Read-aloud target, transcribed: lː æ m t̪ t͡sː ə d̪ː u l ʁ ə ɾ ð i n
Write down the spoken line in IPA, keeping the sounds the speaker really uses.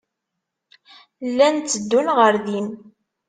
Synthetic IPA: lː æ n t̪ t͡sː ə d̪ː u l ʁ ə ɾ ð i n